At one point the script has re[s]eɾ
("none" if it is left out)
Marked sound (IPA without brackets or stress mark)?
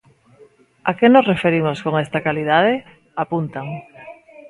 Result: f